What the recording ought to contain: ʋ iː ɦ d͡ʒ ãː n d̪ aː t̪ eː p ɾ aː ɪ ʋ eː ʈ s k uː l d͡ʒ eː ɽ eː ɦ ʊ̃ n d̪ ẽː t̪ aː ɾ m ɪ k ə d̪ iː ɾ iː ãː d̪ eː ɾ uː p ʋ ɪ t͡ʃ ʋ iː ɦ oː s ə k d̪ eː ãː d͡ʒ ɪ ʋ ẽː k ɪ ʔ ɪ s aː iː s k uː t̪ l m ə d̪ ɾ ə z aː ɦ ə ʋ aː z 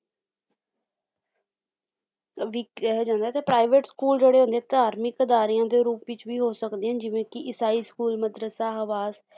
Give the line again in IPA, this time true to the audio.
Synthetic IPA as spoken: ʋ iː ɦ d͡ʒ ãː n d̪ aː t̪ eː p ɾ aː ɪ ʋ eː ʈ s k uː l d͡ʒ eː ɽ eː ɦ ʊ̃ n d̪ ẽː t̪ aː ɾ m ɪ k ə d̪ aː ɾ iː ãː d̪ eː ɾ uː p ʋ ɪ t͡ʃ ʋ iː ɦ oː s ə k d̪ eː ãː d͡ʒ ɪ ʋ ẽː k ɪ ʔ ɪ s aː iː s k uː l m ə d̪ ɾ ə s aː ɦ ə ʋ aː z